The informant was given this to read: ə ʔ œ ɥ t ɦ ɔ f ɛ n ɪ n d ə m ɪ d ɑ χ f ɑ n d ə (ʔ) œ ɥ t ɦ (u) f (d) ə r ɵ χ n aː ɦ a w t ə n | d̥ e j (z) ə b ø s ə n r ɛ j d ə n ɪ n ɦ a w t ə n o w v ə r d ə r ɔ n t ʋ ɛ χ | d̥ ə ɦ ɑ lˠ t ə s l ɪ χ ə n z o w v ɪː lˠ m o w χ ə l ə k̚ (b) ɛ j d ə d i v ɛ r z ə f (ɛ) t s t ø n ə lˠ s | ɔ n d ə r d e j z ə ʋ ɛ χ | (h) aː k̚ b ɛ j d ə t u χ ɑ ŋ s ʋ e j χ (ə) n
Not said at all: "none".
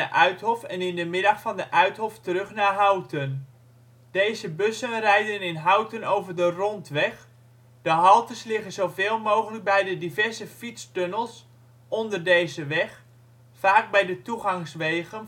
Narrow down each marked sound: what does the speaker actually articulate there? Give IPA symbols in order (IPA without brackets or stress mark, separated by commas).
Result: ʔ, ɔ, t, z, b, i, f, ə